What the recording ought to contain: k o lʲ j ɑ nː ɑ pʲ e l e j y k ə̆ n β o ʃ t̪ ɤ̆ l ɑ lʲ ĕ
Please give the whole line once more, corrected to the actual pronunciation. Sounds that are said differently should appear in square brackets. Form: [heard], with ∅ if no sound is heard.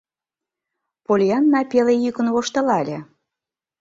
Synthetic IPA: [p] o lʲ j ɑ nː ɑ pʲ e l e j y k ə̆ n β o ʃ t̪ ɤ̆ l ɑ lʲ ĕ